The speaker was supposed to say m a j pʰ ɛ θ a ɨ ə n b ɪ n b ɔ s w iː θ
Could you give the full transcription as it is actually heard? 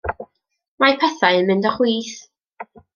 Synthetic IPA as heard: m a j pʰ ɛ θ a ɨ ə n m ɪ n d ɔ χ w iː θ